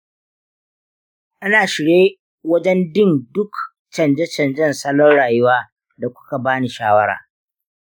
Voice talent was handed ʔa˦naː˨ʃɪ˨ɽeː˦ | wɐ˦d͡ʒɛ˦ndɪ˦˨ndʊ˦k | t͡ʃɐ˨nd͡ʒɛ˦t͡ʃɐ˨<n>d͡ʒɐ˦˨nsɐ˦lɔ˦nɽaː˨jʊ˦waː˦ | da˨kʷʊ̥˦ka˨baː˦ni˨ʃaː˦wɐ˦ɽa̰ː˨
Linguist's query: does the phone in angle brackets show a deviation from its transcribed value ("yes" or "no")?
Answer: no